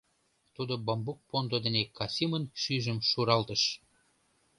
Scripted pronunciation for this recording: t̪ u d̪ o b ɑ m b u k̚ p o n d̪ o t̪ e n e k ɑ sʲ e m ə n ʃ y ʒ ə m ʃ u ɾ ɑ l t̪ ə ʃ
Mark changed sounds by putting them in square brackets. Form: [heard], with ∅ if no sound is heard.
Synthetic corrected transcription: t̪ u d̪ o b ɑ m b u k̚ p o n d̪ o [d̪] e n e k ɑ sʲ [i] m ə n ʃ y ʒ ə m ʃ u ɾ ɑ l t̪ ə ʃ